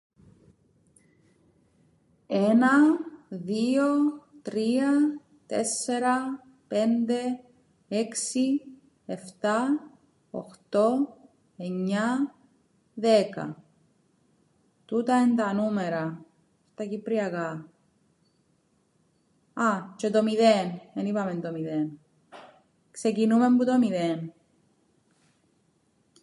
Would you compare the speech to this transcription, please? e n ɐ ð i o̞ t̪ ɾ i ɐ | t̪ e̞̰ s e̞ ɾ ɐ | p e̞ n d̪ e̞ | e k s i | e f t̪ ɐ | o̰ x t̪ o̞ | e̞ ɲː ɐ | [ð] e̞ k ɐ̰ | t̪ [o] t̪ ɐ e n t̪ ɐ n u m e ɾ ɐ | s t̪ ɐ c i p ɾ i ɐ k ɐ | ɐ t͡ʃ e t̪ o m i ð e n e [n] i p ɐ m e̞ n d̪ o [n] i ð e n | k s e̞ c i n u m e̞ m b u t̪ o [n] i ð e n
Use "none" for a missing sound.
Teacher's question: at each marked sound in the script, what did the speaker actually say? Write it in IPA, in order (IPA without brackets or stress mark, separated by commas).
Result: ð, u, n, m, m